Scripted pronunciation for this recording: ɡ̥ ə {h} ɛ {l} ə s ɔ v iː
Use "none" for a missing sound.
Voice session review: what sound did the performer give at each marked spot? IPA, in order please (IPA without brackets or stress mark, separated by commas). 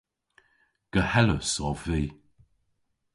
h, l